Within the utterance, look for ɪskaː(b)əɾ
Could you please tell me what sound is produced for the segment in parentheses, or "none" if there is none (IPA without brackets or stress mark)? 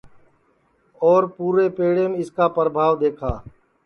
p